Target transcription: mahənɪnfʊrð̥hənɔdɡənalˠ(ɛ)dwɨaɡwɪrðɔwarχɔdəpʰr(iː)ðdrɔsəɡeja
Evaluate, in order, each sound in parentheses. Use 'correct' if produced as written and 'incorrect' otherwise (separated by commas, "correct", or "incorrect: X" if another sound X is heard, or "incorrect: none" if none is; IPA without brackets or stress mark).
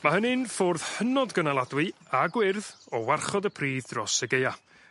incorrect: a, correct